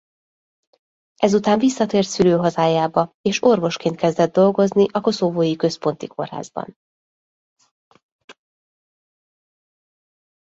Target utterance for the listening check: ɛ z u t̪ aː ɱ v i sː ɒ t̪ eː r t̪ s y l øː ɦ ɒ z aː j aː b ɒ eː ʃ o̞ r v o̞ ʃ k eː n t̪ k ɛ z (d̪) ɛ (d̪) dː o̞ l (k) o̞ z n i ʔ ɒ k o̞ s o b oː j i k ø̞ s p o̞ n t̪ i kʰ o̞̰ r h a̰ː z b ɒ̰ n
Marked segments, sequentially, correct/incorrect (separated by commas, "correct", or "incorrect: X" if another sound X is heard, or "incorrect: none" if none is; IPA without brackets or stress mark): correct, correct, incorrect: ɡ